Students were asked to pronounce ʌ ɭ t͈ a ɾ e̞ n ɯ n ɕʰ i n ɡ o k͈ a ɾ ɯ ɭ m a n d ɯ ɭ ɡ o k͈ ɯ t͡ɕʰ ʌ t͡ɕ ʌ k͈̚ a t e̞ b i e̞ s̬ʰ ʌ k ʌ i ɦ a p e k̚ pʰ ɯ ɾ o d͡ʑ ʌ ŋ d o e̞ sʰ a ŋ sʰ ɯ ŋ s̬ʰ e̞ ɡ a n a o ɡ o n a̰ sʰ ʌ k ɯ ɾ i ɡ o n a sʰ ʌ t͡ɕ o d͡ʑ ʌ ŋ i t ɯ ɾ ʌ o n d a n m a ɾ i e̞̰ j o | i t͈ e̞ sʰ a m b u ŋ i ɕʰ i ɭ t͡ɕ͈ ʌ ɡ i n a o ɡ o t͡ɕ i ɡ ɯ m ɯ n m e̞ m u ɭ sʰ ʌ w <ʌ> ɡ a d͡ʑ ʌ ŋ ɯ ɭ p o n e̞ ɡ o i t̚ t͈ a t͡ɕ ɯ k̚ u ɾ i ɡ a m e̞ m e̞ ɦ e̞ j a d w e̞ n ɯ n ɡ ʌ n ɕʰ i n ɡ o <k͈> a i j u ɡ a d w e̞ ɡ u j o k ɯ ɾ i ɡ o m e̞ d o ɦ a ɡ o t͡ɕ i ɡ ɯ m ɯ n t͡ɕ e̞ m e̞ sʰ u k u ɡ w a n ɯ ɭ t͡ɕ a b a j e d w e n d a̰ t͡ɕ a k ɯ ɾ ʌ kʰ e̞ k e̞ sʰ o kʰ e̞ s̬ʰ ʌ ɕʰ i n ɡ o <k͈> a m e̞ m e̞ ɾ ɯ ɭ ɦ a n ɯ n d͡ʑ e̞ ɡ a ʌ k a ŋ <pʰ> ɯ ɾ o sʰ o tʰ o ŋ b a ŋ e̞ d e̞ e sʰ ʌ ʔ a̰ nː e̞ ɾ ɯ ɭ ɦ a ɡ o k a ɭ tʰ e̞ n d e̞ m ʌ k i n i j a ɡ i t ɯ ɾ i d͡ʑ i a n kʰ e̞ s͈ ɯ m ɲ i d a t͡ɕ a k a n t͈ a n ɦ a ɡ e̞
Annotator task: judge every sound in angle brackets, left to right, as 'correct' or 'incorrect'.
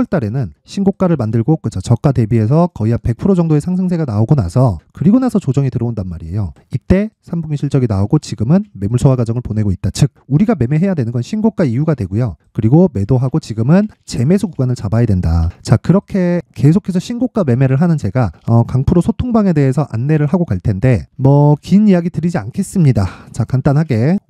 incorrect: a, correct, correct, correct

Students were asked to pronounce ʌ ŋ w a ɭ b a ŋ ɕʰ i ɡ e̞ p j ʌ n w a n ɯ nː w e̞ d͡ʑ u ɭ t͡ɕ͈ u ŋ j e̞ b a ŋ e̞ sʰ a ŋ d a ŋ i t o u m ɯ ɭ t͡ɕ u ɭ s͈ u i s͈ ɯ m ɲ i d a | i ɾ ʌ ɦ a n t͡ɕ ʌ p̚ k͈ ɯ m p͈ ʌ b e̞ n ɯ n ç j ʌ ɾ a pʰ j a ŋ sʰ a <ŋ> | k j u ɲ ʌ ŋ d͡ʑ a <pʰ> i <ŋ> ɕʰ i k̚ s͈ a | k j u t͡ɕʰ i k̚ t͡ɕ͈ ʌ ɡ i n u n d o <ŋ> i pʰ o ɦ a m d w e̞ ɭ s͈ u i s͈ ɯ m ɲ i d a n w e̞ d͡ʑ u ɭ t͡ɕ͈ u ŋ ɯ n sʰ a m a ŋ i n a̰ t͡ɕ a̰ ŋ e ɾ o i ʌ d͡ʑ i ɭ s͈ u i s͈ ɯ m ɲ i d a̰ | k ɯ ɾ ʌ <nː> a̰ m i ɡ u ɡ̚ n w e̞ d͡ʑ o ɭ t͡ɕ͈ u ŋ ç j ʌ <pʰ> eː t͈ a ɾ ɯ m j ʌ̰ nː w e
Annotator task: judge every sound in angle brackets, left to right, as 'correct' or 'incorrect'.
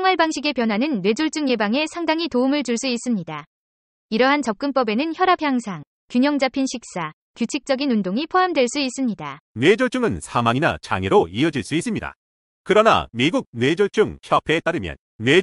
correct, correct, incorrect: n, correct, incorrect: n, correct

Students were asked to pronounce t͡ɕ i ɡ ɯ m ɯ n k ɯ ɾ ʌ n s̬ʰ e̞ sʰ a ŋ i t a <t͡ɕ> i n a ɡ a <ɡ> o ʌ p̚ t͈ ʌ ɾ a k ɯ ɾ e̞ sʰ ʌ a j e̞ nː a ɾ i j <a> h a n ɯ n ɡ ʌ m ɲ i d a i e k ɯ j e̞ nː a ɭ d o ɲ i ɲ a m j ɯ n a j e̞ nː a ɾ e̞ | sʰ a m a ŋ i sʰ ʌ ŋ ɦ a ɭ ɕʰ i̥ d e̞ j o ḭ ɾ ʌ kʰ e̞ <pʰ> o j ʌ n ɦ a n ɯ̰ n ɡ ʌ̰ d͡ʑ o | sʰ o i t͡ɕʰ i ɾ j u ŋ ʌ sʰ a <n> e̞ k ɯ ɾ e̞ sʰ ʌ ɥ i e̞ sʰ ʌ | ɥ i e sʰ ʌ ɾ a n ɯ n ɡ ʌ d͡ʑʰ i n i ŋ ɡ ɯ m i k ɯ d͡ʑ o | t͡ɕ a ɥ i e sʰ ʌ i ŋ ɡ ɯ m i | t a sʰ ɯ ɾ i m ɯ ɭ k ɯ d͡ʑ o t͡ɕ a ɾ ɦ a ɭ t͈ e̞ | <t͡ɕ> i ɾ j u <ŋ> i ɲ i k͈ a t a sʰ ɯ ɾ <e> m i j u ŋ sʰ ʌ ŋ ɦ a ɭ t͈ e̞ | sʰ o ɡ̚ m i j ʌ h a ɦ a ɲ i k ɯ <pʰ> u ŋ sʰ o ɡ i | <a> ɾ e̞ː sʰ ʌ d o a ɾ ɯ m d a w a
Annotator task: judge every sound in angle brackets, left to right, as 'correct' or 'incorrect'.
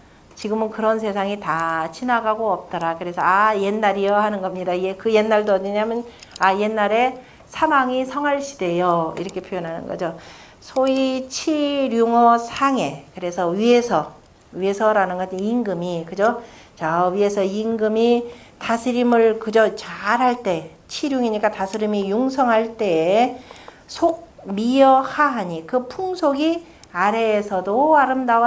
incorrect: t͡ɕʰ, correct, incorrect: ʌ, correct, incorrect: ŋ, incorrect: t͡ɕʰ, correct, incorrect: i, correct, correct

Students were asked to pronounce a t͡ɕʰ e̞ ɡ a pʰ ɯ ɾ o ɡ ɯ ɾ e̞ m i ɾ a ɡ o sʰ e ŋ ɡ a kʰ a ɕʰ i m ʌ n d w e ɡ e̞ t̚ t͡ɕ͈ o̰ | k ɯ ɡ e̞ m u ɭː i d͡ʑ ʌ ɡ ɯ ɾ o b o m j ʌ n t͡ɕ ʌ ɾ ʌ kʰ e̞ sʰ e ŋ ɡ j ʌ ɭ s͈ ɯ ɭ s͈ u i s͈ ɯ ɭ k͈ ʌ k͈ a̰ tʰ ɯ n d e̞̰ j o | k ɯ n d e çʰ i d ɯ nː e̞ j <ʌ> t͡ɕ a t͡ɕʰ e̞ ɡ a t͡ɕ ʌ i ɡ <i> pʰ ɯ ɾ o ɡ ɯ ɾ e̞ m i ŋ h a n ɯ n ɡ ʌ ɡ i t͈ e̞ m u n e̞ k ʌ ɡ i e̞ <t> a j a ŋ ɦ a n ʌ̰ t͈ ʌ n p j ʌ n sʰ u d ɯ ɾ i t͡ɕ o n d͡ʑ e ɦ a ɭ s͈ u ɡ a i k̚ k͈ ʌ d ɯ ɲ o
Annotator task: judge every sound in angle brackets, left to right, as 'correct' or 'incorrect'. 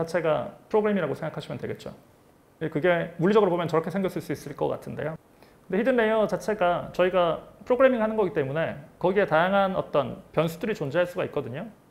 correct, incorrect: a, correct

